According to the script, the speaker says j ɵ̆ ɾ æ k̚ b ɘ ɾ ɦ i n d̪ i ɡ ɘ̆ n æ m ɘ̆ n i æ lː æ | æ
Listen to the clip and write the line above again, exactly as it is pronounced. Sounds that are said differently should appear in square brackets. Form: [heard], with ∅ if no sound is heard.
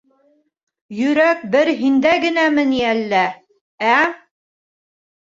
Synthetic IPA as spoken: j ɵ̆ ɾ æ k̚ b ɘ ɾ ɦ i n d̪ [æ] ɡ ɘ̆ n æ m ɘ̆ n i æ lː æ | æ

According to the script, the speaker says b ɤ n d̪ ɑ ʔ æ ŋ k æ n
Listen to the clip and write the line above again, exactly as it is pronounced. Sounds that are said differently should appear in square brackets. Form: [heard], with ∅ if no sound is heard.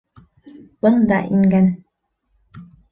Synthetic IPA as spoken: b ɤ n d̪ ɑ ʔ [i] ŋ [ɡ] æ n

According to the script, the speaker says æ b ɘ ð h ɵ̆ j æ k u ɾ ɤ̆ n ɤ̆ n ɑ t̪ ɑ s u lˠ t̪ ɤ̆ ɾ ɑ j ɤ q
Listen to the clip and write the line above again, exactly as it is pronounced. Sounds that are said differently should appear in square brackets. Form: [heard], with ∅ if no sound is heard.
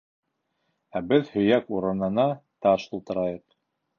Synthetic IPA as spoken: æ b ɘ ð h ɵ̆ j æ k u ɾ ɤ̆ n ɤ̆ n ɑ t̪ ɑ [ʃ] u lˠ t̪ ɤ̆ ɾ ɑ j ɤ q

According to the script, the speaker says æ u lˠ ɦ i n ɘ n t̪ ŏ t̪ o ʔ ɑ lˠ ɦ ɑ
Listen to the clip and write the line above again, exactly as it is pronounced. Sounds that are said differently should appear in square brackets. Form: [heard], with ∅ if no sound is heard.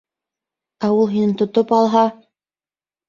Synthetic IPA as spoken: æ u lˠ ɦ i n ɘ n t̪ ŏ t̪ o [p] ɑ lˠ ɦ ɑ

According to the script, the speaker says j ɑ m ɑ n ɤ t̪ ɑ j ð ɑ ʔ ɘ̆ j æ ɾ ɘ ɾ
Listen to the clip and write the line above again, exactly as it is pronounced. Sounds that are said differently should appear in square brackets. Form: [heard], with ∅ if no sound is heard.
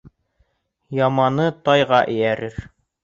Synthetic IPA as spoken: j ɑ m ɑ n ɤ t̪ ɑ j [ʁ] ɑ ʔ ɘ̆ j æ ɾ ɘ ɾ

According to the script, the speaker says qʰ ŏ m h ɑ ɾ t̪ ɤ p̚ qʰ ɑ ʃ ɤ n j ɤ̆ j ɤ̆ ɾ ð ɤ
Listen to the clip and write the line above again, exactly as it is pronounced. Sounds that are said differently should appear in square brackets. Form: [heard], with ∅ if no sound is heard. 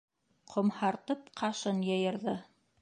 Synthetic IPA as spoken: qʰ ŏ m h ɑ ɾ t̪ ɤ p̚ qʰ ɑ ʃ ɤ n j ɤ̆ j ɤ̆ ɾ ð ɤ

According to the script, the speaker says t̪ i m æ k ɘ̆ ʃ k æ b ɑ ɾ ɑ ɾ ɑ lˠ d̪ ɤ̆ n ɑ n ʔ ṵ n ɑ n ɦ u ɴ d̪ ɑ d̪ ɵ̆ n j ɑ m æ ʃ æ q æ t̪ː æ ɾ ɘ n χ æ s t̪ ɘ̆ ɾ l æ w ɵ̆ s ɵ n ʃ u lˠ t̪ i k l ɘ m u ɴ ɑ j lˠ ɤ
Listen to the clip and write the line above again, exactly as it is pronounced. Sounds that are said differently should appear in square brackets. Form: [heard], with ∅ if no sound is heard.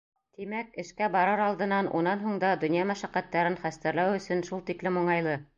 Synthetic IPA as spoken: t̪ i m æ k ɘ̆ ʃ k æ b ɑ ɾ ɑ ɾ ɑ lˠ d̪ ɤ̆ n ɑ n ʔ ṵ n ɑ n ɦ u ɴ d̪ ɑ d̪ ɵ̆ n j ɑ m æ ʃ æ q æ t̪ː æ ɾ ɘ n χ æ s t̪ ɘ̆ ɾ l æ w ɵ̆ s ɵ n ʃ u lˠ t̪ i k l ɘ m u ɴ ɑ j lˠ ɤ

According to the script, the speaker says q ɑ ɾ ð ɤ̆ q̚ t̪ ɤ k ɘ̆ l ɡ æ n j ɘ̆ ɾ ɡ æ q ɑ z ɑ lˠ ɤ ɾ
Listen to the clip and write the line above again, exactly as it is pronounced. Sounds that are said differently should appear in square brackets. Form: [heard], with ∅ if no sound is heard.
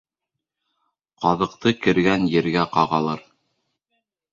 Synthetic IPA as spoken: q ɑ [∅] ð ɤ̆ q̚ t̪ ɤ k ɘ̆ [ɾ] ɡ æ n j ɘ̆ ɾ ɡ æ q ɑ [ʁ] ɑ lˠ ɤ ɾ

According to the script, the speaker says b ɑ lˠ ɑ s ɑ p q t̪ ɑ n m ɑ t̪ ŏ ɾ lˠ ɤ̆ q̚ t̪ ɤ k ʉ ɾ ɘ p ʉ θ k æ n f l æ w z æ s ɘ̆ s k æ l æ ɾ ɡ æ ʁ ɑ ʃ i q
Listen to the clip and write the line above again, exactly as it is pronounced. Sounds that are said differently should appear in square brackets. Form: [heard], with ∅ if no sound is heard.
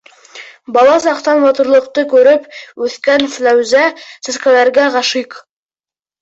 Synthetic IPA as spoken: b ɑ lˠ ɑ s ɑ [∅] q t̪ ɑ n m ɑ t̪ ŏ ɾ lˠ ɤ̆ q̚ t̪ ɤ k ʉ ɾ ɘ p ʉ θ k æ n f l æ w z æ s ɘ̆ s k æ l æ ɾ ɡ æ ʁ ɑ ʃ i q

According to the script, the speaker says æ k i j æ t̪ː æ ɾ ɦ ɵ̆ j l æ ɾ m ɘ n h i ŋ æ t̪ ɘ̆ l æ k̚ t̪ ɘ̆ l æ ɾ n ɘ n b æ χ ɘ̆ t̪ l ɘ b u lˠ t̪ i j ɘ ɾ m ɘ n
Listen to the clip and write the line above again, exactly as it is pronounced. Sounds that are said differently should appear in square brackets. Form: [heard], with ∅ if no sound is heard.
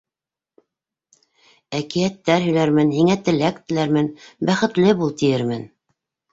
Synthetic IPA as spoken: æ k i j æ t̪ː æ ɾ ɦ ɵ̆ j l æ ɾ m ɘ n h i ŋ æ t̪ ɘ̆ l æ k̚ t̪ ɘ̆ l æ ɾ [m] ɘ n b æ χ ɘ̆ t̪ l ɘ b u lˠ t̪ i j ɘ ɾ m ɘ n

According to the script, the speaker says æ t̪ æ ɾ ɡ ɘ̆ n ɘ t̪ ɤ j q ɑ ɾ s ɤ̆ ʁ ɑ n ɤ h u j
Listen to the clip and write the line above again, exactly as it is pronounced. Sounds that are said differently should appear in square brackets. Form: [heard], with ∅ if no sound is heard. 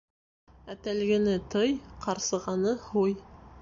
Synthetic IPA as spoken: æ t̪ æ [l] ɡ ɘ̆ n ɘ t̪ ɤ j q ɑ ɾ s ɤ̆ ʁ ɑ n ɤ h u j

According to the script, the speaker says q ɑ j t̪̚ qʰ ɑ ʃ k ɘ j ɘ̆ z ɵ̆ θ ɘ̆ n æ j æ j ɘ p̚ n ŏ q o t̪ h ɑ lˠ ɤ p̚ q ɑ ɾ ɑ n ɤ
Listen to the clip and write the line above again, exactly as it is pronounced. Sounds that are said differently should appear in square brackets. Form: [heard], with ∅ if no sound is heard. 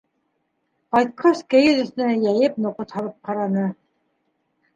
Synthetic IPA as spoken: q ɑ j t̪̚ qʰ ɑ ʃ k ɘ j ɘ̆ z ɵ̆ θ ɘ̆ n æ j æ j ɘ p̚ n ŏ q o t̪ h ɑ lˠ ɤ p̚ q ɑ ɾ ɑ n ɤ

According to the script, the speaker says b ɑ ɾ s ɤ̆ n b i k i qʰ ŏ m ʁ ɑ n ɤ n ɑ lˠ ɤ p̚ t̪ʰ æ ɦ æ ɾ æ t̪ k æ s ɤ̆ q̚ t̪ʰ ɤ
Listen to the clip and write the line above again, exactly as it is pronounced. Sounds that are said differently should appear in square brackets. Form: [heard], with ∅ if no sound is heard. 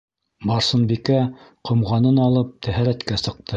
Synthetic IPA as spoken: b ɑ ɾ s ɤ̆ n b i k [æ] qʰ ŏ m ʁ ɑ n ɤ n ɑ lˠ ɤ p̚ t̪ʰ æ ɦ æ ɾ æ t̪ k æ s ɤ̆ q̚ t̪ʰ ɤ

